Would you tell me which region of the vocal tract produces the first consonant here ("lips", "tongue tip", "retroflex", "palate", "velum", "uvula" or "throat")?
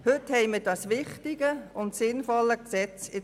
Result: throat